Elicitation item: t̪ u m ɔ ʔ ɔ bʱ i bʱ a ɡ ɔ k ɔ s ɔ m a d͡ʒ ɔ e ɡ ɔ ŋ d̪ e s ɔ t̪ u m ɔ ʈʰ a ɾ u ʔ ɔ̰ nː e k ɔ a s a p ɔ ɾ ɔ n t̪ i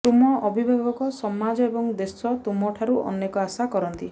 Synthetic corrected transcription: t̪ u m ɔ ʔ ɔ bʱ i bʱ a ɡ ɔ k ɔ s ɔ m a d͡ʒ ɔ e b ɔ ŋ d̪ e s ɔ t̪ u m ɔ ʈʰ a ɾ u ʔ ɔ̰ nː e k ɔ a s a k ɔ ɾ ɔ n t̪ i